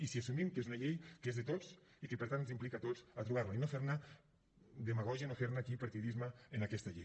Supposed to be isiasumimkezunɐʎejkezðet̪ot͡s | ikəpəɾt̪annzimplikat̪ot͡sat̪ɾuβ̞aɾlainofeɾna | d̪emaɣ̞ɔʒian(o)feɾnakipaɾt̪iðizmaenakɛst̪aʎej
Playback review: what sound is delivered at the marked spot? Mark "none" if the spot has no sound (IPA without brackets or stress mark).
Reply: o